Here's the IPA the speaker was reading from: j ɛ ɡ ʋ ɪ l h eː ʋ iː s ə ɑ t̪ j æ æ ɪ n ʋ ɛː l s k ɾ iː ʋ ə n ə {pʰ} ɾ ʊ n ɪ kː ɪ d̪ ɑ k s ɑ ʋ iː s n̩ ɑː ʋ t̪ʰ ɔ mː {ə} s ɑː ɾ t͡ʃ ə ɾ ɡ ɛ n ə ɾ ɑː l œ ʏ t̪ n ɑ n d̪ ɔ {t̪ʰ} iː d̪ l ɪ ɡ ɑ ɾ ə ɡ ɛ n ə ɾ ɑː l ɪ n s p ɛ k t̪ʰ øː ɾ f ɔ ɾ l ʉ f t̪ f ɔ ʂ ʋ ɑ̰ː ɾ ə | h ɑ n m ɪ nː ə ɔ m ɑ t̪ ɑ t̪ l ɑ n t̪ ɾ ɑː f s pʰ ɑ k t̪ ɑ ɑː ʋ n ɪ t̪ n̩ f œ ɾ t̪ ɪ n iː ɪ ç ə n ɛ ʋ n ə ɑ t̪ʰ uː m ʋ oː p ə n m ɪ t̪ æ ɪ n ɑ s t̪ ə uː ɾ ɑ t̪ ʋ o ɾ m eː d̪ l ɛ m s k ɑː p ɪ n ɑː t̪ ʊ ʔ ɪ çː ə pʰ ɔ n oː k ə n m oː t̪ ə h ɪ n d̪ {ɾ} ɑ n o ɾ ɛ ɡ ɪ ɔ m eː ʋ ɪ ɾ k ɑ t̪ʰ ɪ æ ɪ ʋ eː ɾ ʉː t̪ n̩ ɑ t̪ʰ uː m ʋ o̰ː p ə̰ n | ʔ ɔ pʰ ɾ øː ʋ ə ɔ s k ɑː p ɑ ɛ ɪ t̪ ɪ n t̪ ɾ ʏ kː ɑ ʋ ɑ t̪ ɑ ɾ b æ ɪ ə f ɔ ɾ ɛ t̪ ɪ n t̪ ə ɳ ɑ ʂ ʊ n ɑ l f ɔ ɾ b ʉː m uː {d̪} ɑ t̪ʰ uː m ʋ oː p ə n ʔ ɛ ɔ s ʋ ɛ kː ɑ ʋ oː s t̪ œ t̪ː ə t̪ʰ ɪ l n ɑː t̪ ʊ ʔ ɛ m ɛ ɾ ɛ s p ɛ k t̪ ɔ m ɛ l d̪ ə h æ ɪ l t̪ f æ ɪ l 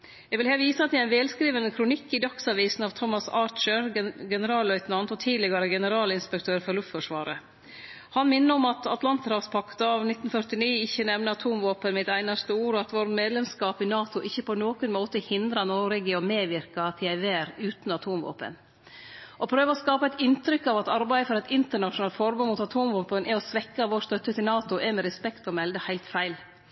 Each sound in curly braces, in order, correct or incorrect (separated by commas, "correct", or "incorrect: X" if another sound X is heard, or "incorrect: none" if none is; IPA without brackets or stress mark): incorrect: kʰ, incorrect: ɑ, correct, correct, incorrect: t̪